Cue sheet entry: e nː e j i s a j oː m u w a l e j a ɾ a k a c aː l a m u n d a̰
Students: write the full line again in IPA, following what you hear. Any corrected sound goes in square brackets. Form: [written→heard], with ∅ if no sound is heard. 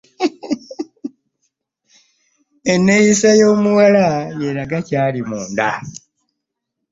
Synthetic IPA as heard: e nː e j i s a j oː m u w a l [e→a] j [a→e] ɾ a [k→ɡ] a c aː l [a→i] m [u→uː] n d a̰